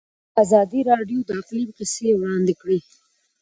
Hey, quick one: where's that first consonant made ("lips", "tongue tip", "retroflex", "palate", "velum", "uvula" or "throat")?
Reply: tongue tip